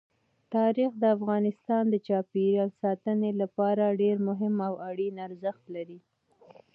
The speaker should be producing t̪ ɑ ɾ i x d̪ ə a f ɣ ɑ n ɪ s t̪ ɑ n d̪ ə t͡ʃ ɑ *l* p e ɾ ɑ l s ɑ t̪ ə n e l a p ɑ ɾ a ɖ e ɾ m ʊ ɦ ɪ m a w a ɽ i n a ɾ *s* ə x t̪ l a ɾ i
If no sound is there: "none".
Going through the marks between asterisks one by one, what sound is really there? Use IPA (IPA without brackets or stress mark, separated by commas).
none, z